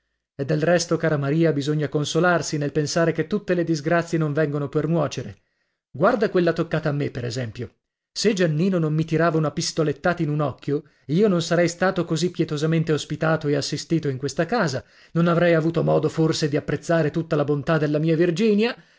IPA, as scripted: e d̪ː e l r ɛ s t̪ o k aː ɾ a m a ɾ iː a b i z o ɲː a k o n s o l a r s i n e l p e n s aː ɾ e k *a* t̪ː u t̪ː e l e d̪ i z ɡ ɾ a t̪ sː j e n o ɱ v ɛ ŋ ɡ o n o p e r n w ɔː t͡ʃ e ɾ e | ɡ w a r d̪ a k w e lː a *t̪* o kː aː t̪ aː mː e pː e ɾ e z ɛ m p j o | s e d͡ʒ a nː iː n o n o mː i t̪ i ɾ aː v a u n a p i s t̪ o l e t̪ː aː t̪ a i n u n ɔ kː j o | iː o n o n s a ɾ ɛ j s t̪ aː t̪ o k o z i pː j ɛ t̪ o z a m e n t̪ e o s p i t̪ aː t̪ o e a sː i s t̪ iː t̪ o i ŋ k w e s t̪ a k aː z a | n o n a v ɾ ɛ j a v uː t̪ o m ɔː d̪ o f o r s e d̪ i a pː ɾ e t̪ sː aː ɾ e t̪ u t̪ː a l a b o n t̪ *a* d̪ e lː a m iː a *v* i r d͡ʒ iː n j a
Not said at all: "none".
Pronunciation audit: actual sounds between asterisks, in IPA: e, t̪, a, v

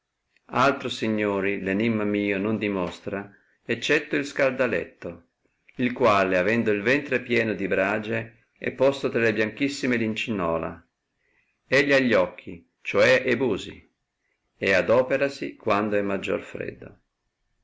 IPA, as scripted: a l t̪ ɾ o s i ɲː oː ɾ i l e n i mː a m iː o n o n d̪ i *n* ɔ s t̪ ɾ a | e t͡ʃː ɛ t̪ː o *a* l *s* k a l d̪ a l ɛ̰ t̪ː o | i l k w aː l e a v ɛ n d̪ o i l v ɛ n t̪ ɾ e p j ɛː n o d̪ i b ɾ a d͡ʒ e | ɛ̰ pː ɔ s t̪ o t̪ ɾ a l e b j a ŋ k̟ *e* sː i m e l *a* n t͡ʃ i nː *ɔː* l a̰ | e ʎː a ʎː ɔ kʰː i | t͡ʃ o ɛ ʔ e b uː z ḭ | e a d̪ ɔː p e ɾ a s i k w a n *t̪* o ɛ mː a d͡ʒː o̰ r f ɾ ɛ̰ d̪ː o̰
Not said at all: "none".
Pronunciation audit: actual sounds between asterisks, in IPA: m, i, s, i, i, ɔː, d̪

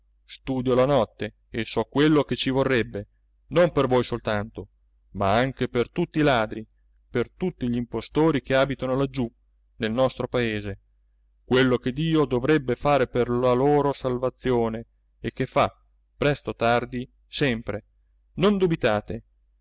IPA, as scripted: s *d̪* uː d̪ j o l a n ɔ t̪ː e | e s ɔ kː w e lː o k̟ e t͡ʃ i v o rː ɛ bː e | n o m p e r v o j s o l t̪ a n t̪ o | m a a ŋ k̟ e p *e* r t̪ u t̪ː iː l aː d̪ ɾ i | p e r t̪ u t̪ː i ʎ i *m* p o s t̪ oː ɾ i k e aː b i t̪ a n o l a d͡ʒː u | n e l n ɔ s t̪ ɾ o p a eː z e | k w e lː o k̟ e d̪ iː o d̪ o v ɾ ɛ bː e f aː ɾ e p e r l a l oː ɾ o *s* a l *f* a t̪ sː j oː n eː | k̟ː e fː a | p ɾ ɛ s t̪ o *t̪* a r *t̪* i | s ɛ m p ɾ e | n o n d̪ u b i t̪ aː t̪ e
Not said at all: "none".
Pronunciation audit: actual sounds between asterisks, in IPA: t̪, e, m, s, v, t̪, d̪

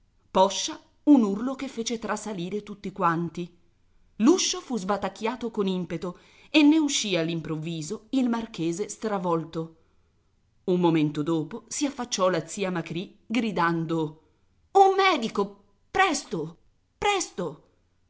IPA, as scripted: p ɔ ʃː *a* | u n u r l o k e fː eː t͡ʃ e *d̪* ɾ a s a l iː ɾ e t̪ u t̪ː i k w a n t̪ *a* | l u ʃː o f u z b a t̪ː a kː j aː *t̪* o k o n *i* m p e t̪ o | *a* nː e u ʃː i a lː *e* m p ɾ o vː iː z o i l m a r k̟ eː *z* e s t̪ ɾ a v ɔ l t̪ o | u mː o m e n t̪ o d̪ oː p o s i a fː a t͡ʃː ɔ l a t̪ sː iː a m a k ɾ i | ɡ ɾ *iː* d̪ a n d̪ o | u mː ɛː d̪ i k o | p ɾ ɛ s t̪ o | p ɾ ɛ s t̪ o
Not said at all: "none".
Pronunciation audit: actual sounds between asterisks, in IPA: a, t̪, i, t̪, i, e, i, z, i

